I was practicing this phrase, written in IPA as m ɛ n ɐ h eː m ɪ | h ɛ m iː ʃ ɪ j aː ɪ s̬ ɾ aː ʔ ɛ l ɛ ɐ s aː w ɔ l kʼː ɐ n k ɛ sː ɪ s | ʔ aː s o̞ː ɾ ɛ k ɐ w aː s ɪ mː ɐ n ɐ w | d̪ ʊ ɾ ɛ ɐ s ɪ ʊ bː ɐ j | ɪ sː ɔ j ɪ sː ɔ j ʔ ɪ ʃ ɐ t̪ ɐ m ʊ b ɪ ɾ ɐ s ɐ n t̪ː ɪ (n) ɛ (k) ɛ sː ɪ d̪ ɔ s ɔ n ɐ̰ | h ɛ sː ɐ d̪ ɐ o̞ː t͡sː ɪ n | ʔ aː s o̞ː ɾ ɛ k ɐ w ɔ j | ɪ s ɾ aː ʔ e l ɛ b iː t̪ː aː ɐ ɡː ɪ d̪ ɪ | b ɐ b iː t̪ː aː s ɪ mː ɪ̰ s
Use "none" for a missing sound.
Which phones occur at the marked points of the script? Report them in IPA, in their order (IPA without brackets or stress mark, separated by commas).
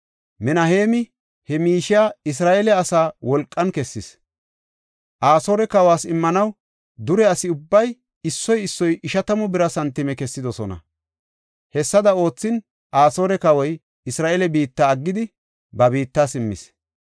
m, k